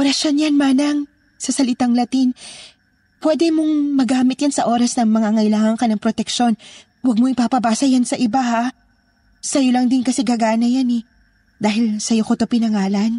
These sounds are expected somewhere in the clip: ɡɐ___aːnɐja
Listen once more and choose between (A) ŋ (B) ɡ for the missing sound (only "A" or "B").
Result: B